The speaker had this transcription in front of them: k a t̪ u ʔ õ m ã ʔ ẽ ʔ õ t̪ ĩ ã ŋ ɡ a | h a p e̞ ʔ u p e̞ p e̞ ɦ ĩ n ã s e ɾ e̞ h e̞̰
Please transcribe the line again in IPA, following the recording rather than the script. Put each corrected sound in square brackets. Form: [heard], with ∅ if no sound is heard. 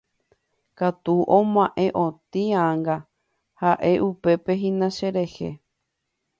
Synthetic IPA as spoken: k a t̪ u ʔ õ m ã ʔ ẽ ʔ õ t̪ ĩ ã ŋ ɡ a | h a [ʔ] e̞ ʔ u p e̞ p e̞ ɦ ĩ n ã [ʃ] e ɾ e̞ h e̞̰